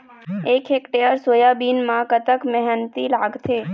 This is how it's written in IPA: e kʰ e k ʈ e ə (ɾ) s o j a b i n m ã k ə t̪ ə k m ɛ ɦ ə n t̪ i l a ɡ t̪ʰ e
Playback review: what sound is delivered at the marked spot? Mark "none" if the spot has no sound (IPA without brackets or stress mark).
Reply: ɾ